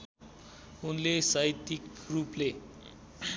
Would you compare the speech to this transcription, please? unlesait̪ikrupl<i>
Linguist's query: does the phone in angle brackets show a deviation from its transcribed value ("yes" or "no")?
yes